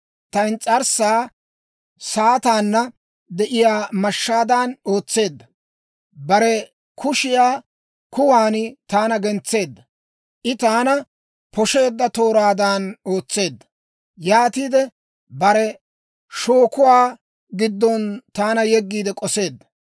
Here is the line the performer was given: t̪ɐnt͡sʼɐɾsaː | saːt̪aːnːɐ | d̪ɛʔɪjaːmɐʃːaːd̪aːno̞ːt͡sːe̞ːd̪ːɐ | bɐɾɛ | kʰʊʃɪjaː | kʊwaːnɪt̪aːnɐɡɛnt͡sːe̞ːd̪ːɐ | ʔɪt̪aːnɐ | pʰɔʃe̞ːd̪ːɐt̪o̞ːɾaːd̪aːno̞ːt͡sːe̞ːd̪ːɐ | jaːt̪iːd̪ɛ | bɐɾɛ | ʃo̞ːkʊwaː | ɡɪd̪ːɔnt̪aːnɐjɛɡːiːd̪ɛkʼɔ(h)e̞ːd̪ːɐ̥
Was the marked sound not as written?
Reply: yes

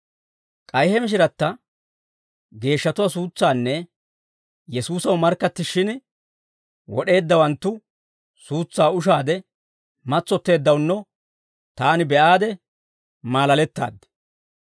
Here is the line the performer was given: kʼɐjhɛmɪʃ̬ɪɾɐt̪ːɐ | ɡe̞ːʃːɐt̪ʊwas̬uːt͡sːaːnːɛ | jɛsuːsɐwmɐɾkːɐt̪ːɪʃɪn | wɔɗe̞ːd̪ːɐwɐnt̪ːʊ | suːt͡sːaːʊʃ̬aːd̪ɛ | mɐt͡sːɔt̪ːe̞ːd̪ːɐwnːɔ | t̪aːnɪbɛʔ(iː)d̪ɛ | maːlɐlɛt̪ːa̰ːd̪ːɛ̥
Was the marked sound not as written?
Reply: yes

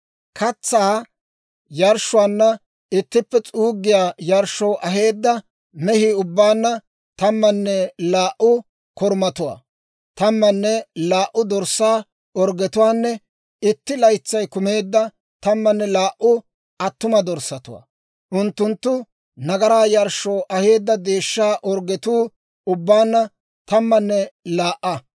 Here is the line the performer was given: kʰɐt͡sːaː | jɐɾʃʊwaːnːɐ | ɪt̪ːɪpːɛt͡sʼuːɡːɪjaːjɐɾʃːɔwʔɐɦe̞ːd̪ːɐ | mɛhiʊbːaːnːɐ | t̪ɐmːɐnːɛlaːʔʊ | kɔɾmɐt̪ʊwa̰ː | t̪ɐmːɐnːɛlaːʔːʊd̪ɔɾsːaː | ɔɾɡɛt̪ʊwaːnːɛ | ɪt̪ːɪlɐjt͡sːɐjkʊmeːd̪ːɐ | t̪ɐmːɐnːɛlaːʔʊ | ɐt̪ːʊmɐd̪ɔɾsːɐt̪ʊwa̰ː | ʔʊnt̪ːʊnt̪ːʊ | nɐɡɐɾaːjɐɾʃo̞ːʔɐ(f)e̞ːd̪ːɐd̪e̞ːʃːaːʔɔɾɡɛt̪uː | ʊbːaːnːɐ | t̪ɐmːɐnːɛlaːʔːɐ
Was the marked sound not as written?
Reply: yes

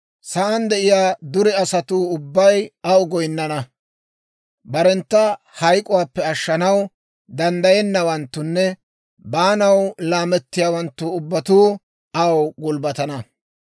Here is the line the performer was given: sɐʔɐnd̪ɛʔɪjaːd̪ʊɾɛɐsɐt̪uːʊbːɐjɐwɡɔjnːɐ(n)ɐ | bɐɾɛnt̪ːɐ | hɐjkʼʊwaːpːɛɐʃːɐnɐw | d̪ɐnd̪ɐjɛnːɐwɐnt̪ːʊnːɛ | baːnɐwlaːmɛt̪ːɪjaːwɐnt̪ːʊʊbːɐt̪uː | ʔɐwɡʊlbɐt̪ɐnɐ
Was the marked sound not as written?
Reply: no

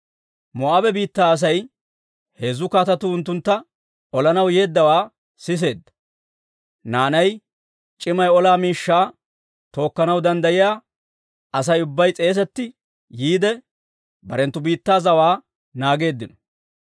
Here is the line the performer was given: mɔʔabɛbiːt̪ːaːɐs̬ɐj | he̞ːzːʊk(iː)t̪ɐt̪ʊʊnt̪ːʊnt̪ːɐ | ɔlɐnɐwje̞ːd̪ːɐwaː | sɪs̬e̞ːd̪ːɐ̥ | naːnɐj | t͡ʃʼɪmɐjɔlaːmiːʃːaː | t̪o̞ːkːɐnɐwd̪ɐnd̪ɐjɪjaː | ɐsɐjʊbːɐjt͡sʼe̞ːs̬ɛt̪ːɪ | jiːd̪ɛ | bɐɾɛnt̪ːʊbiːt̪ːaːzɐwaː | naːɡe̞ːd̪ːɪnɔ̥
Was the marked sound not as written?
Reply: yes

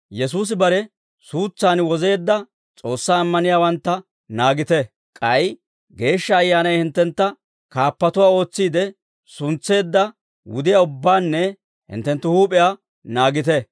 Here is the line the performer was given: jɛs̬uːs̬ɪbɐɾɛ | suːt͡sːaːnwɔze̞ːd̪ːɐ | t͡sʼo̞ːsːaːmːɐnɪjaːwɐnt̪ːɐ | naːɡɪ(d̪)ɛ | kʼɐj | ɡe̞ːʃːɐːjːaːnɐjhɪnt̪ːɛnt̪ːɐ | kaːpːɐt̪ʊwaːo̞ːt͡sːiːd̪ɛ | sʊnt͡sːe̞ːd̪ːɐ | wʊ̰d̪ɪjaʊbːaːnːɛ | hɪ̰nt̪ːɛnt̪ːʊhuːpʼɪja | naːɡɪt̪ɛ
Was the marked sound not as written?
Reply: yes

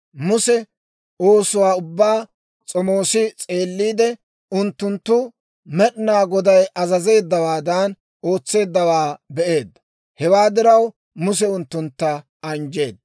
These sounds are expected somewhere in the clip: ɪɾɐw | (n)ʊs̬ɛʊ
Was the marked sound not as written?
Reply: yes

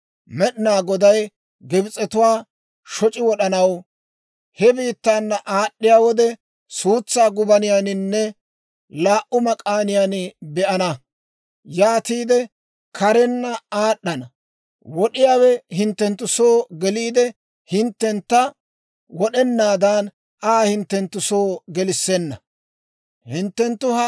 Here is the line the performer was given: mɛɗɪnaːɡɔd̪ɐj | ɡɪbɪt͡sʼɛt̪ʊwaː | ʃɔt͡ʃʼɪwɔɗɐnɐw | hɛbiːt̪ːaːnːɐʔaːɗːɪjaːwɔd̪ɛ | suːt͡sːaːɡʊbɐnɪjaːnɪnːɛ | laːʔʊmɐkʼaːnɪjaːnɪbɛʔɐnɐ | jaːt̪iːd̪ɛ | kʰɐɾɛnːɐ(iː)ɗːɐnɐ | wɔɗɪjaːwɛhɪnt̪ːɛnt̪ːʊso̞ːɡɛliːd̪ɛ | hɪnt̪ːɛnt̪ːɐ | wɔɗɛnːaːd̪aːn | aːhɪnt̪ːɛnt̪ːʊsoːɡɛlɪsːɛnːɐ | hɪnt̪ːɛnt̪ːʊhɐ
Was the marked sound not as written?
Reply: yes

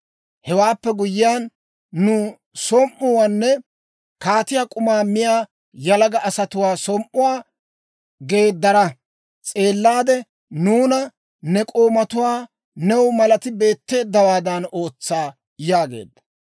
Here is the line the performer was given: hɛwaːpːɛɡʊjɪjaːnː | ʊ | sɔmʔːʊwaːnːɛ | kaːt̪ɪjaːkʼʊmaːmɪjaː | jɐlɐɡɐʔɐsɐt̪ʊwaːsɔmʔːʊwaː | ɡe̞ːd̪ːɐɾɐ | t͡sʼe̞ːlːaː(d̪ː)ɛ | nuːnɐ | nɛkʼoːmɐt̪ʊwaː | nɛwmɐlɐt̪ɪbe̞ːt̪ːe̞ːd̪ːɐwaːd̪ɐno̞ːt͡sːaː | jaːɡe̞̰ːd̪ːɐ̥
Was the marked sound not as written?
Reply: yes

